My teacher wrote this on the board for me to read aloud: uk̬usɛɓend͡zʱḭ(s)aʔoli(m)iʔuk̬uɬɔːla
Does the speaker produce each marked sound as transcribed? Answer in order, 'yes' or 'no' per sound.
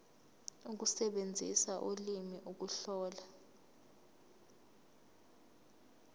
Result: yes, yes

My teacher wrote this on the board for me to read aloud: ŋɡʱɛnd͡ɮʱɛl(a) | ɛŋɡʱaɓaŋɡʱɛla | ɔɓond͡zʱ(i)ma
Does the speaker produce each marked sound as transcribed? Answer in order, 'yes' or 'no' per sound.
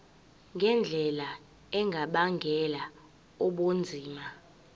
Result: yes, no

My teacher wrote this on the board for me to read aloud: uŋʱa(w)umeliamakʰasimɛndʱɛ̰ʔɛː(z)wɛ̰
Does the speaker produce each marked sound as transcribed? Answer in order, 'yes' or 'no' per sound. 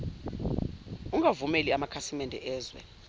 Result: no, yes

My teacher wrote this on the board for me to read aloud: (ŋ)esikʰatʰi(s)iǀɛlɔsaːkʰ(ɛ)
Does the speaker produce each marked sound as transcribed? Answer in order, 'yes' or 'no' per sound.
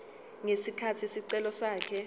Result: yes, yes, yes

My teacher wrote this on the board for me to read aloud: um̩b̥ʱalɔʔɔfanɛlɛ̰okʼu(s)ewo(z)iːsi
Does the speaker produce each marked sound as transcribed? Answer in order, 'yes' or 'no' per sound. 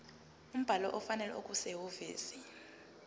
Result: yes, no

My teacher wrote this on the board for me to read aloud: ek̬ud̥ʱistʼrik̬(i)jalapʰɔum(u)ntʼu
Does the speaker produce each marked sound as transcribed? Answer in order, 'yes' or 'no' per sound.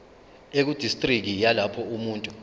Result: yes, no

